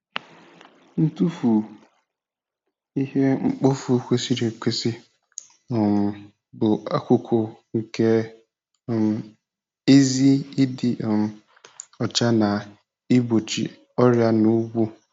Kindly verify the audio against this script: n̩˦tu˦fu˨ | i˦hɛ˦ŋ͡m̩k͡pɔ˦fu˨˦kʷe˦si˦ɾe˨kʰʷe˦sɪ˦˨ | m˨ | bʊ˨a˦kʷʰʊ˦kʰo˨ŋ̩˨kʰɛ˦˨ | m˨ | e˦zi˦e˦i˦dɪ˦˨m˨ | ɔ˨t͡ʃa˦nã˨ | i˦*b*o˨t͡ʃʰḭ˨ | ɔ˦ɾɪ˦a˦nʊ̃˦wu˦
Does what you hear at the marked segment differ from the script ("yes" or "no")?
no